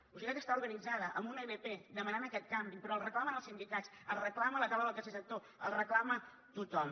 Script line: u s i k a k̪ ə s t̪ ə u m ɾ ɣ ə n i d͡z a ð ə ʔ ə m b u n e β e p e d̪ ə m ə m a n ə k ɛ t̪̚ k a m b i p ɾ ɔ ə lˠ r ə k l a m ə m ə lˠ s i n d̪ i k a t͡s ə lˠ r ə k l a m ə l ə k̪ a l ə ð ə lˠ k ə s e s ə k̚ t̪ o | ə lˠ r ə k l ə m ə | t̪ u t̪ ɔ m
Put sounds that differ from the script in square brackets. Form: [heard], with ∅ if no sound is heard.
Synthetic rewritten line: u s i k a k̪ ə s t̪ [a] u [∅] ɾ ɣ ə n i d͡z a ð ə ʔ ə m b u n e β e p e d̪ ə m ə [n] a n ə k ɛ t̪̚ k a m b i p ɾ ɔ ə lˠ r ə k l a m ə [n] ə lˠ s i n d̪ i k a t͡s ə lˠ r ə k l a m ə l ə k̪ a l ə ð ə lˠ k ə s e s ə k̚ t̪ o | ə lˠ r ə k l [a] m ə | t̪ u t̪ ɔ m